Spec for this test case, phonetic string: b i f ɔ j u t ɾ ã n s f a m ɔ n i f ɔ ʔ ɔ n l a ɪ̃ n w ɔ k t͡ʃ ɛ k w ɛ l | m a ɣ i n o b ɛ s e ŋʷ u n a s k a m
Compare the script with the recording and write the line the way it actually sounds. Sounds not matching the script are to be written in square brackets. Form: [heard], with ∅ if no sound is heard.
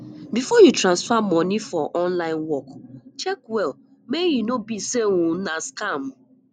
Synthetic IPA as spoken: b i f ɔ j u t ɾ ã n s f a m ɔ n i f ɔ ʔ ɔ n l a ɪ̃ n w ɔ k t͡ʃ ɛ k w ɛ l | m [e] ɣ i n o b [i] s e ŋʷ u n a s k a m